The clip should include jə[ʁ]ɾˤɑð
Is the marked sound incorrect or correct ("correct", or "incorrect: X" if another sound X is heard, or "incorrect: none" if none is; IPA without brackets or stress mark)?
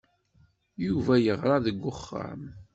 correct